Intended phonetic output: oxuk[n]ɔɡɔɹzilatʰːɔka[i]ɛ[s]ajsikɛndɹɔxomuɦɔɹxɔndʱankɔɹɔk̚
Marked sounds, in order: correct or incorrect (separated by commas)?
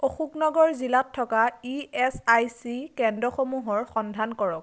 correct, correct, correct